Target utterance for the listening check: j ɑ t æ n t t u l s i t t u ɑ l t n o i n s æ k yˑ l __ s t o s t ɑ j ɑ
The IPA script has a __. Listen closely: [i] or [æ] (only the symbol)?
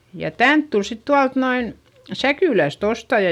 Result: æ